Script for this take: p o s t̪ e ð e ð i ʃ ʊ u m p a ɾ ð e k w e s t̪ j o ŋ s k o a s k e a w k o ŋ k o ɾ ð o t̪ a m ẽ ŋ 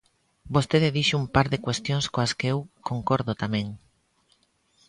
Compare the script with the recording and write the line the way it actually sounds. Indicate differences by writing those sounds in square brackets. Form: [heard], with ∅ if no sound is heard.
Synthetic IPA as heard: [b] o s t̪ e ð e ð i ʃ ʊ u m p a ɾ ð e k w e s t̪ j o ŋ s k o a s k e [e] w k o ŋ k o ɾ ð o t̪ a m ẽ ŋ

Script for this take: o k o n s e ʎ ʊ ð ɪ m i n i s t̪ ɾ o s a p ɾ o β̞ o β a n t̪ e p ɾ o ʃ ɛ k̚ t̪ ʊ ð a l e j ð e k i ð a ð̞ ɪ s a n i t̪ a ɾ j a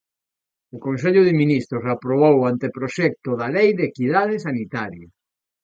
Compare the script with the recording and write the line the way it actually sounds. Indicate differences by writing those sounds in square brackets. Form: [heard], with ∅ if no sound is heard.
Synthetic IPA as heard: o k o n s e ʎ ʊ ð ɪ m i n i s t̪ ɾ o s a p ɾ o β̞ o [w] a n t̪ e p ɾ o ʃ ɛ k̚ t̪ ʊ ð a l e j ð e k i ð a ð̞ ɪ s a n i t̪ a ɾ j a

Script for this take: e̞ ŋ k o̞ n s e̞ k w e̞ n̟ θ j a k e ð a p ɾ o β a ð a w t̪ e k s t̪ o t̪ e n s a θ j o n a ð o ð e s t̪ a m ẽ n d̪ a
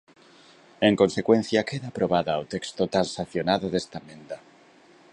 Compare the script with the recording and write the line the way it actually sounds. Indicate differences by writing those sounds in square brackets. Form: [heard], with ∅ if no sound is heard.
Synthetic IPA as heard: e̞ ŋ k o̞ n s e̞ k w e̞ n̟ θ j a k e ð a p ɾ o β a ð a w t̪ e k s t̪ o t̪ [a] n s a θ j o n a ð o ð e s t̪ a m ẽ n d̪ a

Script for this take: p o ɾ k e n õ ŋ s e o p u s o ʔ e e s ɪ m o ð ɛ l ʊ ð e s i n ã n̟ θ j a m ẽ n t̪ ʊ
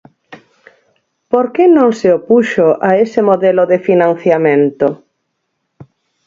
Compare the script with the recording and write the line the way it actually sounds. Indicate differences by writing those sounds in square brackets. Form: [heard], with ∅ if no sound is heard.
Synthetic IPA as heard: p o ɾ k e n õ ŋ s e o p u [ʃ] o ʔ [a] e s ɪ m o ð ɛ l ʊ ð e [f] i n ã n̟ θ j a m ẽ n t̪ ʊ

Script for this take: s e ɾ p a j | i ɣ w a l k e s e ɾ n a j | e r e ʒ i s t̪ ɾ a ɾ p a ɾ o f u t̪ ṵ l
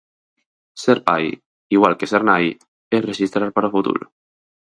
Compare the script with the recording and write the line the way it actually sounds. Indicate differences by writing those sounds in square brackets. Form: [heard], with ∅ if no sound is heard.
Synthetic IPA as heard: s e ɾ p a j | i ɣ w a l k e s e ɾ n a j | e r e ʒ i s t̪ ɾ a ɾ p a ɾ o f u t̪ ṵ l

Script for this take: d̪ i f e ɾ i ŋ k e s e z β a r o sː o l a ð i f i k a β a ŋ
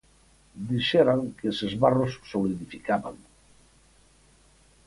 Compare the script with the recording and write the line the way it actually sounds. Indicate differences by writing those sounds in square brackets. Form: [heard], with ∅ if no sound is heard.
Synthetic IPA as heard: d̪ i [ʃ] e ɾ [a] ŋ k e s e z β a r o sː o l [i] ð i f i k a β a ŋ

